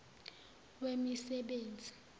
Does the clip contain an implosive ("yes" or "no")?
yes